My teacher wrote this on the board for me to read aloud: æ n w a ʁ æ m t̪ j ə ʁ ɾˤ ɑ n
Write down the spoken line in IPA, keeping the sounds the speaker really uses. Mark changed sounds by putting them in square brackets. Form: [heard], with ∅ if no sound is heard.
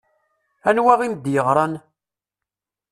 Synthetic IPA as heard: æ n w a ʁ [i] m [d̪] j ə ʁ ɾˤ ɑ n